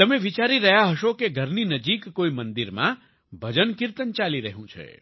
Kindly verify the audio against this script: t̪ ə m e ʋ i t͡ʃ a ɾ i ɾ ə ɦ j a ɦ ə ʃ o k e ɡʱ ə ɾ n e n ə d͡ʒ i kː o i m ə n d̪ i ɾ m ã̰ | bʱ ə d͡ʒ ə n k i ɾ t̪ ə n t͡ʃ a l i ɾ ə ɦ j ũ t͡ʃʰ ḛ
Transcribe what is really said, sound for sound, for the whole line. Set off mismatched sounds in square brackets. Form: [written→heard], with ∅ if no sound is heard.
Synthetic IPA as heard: t̪ ə m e ʋ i t͡ʃ a ɾ i ɾ ə ɦ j a ɦ ə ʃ o k e ɡʱ ə ɾ n [e→i] n ə d͡ʒ i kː o i m ə n d̪ i ɾ m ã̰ | bʱ ə d͡ʒ ə n k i ɾ t̪ ə n t͡ʃ a l i ɾ ə ɦ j ũ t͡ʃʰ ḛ